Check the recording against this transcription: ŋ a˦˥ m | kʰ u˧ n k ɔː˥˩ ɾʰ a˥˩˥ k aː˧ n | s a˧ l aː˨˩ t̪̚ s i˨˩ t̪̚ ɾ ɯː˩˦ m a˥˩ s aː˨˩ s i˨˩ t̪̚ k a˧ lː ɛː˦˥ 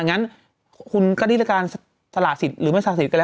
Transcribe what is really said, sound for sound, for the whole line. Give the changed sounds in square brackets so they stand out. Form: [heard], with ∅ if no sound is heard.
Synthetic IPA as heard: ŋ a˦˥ [n] | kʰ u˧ n k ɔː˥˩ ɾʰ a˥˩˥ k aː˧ n | s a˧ l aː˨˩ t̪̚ s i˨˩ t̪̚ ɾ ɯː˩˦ m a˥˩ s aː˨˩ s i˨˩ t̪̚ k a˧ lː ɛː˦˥